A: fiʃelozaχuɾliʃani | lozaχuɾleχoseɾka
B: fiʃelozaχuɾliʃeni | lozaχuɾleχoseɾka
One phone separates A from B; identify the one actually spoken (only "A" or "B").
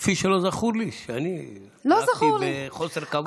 A